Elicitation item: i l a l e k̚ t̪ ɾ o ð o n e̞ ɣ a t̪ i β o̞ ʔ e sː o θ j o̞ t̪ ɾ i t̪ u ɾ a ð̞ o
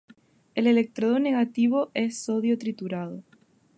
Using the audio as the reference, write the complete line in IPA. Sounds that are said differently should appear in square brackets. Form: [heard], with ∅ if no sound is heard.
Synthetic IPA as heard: [e] l [e] l e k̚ t̪ ɾ o ð o n e̞ ɣ a t̪ i β o̞ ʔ e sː o [ð] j o̞ t̪ ɾ i t̪ u ɾ a ð̞ o